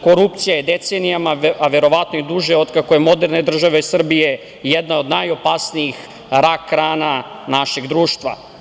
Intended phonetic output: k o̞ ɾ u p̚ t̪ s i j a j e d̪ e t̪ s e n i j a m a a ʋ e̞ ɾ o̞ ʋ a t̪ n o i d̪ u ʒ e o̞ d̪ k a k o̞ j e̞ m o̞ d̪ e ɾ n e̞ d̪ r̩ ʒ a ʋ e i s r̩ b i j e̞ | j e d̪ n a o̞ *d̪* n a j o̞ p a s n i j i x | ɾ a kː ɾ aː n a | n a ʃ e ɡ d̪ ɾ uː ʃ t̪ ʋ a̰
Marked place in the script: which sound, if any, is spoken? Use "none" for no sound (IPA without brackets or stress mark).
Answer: d̪